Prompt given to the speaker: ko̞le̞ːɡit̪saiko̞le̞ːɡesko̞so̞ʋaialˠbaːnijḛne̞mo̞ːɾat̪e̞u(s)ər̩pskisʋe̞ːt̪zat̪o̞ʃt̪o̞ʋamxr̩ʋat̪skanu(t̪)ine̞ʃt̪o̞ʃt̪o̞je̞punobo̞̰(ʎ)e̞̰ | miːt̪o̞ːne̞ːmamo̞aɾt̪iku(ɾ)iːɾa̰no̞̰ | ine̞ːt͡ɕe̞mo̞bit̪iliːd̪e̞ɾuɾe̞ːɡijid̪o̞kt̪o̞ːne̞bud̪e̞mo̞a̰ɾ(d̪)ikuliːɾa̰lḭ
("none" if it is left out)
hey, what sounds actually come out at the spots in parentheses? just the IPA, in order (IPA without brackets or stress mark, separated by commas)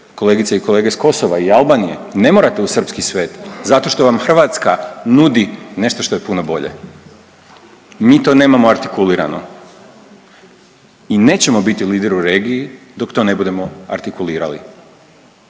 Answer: s, d̪, ʎ, l, t̪